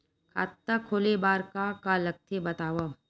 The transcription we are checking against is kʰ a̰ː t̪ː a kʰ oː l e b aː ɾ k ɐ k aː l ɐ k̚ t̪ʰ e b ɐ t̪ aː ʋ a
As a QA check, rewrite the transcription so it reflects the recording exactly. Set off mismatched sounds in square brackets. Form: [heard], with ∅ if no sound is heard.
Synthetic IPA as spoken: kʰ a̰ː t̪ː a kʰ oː l e b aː ɾ k [a] k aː l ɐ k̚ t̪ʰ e b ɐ t̪ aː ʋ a